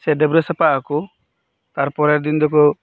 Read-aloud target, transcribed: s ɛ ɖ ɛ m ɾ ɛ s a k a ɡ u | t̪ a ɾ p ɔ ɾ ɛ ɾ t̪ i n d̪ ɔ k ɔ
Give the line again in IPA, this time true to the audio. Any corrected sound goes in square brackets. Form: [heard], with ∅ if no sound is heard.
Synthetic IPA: s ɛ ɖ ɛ [b] ɾ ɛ s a [p] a [k] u | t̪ a ɾ p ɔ ɾ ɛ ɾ [d̪] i n d̪ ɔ k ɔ